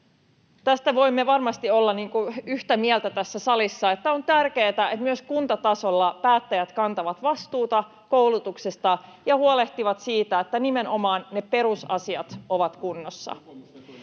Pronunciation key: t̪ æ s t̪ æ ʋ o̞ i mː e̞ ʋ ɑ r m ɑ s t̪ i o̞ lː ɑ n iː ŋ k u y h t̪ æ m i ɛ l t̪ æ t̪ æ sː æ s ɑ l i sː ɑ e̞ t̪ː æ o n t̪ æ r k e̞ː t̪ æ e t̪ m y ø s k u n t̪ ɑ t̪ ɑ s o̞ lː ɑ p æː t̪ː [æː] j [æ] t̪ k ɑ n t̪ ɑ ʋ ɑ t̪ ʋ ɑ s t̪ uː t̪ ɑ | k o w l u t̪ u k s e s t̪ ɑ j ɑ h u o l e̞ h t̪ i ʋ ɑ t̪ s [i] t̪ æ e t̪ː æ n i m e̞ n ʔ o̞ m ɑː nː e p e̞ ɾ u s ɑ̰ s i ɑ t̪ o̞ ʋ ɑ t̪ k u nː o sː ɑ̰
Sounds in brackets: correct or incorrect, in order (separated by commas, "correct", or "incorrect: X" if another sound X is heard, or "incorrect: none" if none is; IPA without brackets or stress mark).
incorrect: æ, correct, incorrect: iː